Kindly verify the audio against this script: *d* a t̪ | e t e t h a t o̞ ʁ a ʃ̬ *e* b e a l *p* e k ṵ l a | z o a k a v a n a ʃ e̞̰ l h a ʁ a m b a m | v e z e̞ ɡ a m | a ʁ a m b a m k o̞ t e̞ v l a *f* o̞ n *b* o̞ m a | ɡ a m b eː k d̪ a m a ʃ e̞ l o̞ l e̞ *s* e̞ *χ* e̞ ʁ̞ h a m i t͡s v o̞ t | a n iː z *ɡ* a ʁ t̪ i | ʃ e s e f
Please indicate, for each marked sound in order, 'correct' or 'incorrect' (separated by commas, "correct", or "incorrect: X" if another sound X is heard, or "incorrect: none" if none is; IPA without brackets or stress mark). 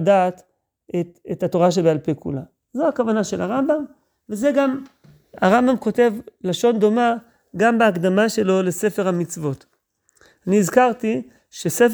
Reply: correct, correct, correct, incorrect: ʃ, incorrect: d, correct, incorrect: f, incorrect: k